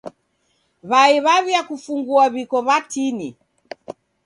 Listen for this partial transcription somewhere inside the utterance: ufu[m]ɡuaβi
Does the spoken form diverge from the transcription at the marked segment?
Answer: yes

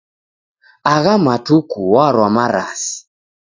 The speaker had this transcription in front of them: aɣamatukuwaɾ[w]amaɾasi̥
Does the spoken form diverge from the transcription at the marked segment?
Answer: no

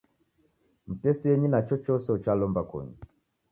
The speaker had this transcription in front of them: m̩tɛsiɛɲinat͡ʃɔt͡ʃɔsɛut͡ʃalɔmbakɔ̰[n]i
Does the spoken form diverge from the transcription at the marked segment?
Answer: yes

